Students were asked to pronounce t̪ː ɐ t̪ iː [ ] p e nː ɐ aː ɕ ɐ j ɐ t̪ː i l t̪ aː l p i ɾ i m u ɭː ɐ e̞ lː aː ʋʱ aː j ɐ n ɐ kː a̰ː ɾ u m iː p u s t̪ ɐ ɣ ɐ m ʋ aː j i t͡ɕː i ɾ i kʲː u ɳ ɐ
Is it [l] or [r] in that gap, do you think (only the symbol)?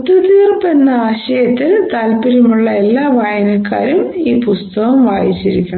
r